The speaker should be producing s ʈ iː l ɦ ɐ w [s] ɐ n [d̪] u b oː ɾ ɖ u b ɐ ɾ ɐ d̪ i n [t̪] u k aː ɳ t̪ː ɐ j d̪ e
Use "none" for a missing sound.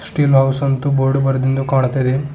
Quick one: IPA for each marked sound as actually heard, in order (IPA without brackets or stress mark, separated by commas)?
s, t̪, d̪